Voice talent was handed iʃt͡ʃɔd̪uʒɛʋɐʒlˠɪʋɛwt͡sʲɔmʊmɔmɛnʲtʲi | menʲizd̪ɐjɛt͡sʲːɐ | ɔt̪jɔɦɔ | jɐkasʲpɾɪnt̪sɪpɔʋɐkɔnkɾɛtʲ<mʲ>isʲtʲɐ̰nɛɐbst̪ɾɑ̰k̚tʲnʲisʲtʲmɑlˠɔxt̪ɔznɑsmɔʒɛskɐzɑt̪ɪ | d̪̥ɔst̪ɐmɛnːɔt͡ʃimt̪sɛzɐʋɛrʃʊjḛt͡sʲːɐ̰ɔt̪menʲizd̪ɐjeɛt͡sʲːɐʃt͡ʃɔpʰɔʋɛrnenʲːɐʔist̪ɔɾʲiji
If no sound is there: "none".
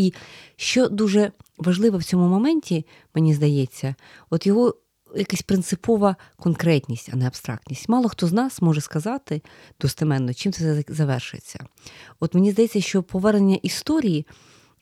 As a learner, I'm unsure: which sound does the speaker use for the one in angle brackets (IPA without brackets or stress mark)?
nʲ